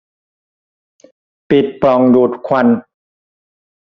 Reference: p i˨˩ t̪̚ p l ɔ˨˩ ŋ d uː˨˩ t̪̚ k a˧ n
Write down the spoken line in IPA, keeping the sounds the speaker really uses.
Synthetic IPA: p i˨˩ t̪̚ p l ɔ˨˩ ŋ d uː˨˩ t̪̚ kʰ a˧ n